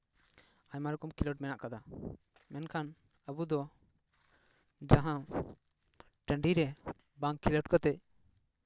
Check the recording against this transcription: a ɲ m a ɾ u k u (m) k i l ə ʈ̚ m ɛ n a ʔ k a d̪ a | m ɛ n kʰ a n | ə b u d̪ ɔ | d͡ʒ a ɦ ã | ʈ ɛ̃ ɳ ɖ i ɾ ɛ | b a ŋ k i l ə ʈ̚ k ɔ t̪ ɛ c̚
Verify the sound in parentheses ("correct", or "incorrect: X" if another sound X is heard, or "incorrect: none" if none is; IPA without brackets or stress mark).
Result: correct